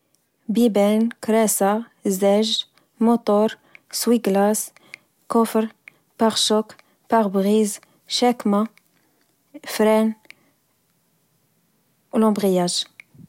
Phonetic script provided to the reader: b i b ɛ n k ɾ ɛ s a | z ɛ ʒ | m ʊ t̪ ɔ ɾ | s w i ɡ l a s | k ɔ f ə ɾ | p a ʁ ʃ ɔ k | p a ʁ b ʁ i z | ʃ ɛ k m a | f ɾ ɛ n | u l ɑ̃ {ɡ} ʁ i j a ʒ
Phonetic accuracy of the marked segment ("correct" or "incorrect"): incorrect